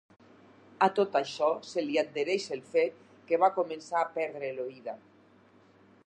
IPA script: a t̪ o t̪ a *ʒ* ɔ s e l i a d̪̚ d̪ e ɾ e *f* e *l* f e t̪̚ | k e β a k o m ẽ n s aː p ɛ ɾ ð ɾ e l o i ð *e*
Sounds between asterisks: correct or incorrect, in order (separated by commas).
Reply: incorrect, incorrect, correct, incorrect